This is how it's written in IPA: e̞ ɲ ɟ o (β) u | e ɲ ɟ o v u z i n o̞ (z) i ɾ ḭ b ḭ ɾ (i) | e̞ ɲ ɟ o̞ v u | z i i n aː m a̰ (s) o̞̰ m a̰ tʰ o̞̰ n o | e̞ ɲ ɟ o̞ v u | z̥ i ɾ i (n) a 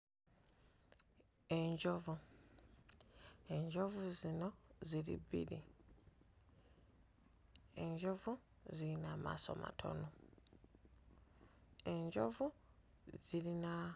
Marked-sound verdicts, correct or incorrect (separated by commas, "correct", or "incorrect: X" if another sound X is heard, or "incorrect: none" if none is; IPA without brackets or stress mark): incorrect: v, correct, correct, correct, correct